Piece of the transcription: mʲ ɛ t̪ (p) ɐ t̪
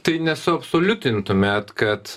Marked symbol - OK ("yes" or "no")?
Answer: no